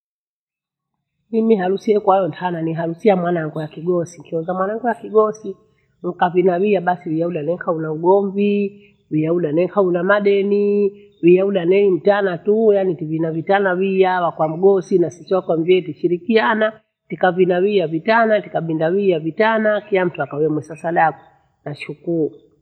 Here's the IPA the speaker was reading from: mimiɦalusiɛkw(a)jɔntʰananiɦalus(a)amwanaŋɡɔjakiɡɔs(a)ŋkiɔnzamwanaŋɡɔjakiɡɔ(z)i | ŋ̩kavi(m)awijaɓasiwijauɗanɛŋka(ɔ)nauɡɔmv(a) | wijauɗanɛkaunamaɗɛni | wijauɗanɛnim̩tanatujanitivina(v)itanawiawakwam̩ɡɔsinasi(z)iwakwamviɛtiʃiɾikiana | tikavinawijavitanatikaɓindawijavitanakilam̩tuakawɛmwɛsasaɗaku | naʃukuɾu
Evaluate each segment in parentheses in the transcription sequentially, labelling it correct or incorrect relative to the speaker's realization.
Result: correct, incorrect, incorrect, incorrect, incorrect, incorrect, incorrect, correct, incorrect

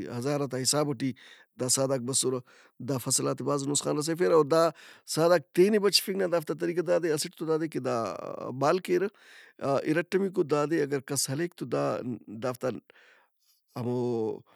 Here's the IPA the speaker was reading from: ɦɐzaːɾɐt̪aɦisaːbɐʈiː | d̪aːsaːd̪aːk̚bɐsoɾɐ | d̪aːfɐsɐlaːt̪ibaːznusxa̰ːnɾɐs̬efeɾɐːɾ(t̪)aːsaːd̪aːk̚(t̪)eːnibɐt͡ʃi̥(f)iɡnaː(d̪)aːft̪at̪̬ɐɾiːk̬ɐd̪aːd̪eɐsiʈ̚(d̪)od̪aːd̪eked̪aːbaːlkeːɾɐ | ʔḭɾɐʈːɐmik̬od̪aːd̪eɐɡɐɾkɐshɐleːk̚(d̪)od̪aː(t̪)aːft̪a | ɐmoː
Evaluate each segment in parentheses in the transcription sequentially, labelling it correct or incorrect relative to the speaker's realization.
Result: incorrect, correct, correct, correct, incorrect, incorrect, incorrect

